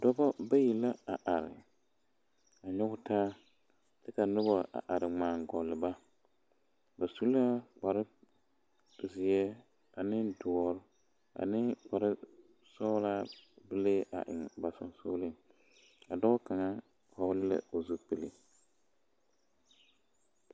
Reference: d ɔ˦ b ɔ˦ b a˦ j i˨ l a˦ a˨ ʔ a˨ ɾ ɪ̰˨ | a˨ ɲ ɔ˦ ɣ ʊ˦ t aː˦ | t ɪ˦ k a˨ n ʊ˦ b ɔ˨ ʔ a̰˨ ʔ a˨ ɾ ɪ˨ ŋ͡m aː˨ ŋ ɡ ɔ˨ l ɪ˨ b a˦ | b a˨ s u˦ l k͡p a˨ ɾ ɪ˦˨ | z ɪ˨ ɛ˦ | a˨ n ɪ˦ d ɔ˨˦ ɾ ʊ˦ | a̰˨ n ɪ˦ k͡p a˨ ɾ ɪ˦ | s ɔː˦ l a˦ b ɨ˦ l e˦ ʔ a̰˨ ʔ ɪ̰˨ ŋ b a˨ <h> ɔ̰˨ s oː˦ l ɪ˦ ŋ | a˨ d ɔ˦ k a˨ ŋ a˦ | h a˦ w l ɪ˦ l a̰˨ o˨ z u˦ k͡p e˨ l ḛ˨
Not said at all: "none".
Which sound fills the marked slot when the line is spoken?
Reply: s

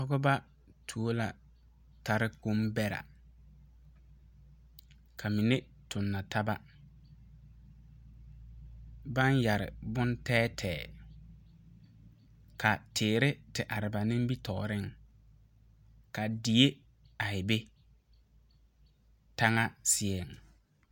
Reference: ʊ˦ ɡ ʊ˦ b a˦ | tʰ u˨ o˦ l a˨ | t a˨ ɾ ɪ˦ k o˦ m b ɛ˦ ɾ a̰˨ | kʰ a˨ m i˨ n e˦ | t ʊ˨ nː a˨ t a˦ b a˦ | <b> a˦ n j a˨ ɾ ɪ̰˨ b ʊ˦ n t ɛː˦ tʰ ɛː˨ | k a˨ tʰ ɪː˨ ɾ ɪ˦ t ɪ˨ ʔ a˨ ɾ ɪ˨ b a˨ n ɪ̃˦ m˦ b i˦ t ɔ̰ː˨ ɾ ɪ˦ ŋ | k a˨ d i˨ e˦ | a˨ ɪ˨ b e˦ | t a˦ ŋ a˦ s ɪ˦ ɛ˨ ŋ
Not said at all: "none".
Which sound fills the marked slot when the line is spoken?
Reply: b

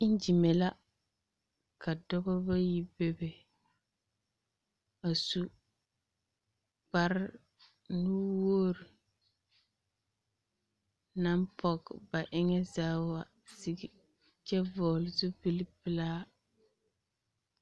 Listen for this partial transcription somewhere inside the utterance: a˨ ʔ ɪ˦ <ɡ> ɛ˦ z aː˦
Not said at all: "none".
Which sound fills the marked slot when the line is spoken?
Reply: ŋ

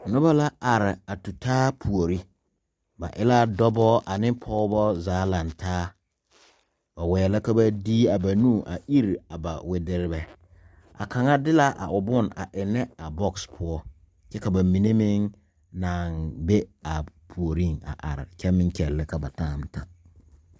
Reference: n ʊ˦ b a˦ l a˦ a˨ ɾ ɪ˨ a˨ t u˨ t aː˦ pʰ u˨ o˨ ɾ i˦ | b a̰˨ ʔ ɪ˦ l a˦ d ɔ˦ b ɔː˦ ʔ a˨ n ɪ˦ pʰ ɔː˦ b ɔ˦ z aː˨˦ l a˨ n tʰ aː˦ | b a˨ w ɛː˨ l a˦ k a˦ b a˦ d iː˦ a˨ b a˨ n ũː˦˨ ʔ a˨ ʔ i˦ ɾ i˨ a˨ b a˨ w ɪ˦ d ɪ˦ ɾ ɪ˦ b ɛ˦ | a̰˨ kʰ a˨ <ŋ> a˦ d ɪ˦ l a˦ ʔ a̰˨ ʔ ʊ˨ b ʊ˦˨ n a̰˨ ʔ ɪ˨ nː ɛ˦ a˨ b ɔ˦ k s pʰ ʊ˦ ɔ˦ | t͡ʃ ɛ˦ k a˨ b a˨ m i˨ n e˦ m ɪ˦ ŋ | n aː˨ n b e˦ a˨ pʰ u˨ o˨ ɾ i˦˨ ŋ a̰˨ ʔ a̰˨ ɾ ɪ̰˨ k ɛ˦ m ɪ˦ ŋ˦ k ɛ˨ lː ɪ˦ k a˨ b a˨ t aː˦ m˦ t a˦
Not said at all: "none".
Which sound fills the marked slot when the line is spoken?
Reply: ŋ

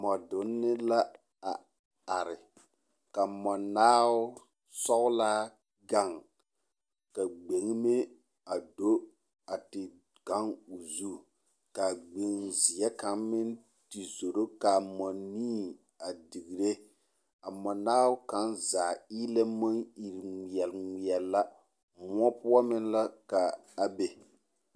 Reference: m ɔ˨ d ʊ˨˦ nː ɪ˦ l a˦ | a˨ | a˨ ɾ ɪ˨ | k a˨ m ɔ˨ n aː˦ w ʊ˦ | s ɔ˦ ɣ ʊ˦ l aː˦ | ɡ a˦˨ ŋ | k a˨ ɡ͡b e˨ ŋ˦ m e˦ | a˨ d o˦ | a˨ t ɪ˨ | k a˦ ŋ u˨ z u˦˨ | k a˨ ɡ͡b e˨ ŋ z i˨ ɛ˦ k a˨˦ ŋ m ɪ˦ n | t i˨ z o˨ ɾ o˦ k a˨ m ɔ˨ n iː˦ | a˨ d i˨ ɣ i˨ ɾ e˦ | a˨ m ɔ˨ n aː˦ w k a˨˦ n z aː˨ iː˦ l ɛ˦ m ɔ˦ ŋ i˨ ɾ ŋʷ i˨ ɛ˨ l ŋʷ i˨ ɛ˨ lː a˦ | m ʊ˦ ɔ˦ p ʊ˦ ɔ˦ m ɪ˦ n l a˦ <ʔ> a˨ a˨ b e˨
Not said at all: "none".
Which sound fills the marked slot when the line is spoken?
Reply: k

